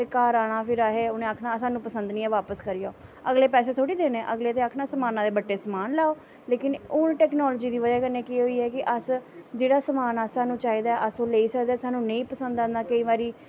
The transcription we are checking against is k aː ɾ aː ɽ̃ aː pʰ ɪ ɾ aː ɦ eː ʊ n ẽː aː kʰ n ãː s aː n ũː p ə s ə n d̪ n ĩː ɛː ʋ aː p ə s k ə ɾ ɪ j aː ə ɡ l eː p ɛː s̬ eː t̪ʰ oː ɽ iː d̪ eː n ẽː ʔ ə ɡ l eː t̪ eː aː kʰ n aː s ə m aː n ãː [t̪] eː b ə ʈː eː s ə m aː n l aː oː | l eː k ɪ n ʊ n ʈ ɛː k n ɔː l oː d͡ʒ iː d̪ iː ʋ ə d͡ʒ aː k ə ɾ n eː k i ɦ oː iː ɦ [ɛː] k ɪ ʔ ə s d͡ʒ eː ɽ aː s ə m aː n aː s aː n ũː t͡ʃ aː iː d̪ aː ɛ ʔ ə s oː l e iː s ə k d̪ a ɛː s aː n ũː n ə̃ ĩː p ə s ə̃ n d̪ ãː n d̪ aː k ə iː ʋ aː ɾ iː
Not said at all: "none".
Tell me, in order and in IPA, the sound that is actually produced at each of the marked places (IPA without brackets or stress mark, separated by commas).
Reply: d̪, ɛː